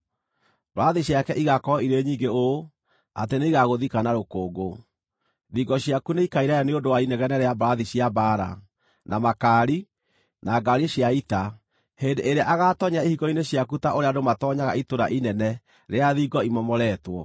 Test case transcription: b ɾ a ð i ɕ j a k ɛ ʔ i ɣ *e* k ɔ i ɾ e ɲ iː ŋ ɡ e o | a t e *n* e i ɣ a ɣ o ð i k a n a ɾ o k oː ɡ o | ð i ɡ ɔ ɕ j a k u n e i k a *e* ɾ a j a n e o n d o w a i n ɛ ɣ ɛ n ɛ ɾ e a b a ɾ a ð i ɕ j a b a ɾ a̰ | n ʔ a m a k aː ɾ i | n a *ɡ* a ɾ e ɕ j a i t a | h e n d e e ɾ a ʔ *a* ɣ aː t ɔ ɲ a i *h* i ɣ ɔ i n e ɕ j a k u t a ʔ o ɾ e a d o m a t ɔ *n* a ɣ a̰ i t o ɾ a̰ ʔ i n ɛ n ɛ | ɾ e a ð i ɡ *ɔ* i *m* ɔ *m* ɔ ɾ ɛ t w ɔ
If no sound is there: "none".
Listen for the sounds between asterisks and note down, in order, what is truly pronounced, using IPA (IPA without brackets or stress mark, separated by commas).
a, n, i, ɡ, a, h, ɲ, ɔ, m, m